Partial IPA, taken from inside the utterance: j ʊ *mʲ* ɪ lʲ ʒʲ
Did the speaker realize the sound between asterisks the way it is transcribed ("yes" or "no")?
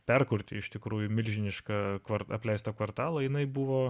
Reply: yes